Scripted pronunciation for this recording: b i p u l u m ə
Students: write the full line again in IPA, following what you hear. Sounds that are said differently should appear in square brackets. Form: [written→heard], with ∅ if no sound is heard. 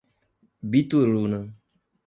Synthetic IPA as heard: b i [p→t] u [l→ɾ] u [m→n] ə